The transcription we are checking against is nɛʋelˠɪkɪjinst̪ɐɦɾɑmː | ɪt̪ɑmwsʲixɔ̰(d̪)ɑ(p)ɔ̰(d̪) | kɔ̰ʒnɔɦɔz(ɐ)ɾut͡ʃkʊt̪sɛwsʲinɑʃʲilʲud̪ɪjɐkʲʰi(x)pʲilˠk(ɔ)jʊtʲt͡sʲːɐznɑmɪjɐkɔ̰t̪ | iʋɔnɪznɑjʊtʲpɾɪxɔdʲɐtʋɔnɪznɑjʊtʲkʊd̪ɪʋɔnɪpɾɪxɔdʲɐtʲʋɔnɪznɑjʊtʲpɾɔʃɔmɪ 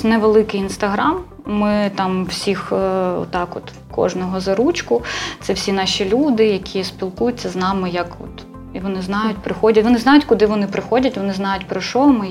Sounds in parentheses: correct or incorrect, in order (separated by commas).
incorrect, incorrect, incorrect, correct, incorrect, incorrect